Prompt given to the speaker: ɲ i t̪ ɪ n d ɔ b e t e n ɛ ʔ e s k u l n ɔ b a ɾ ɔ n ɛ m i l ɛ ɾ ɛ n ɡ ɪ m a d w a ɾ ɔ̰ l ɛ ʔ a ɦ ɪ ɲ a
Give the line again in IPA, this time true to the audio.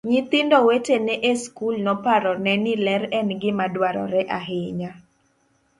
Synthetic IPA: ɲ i t̪ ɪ n d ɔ w e t e n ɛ ʔ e s k u l n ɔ p a ɾ ɔ n ɛ n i l ɛ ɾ ɛ n ɡ ɪ m a d w a ɾ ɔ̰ ɾ ɛ ʔ a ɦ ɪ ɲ a